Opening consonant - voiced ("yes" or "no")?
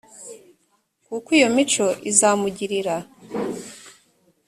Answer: no